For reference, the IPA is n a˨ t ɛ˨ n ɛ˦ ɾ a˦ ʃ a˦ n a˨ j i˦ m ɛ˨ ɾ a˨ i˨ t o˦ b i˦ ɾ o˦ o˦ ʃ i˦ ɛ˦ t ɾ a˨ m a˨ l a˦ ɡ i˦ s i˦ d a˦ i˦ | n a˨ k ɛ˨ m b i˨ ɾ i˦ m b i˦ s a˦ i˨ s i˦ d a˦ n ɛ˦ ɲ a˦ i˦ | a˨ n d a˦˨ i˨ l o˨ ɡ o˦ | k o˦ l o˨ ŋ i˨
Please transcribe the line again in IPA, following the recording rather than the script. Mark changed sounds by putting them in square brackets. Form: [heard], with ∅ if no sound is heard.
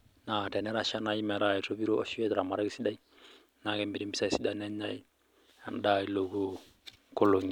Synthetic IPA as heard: n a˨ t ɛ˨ n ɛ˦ ɾ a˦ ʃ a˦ n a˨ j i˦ m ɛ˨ ɾ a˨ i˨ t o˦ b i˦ ɾ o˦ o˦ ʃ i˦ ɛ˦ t ɾ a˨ m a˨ [ɾ] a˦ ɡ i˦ s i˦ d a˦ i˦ | n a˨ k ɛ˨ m b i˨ ɾ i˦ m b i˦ s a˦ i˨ s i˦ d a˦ n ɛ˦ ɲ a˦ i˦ | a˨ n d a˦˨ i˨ l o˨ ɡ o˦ | k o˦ l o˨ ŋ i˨